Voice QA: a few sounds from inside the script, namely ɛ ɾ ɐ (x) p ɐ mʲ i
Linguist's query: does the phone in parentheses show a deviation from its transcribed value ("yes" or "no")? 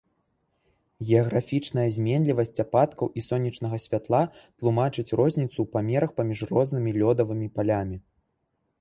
no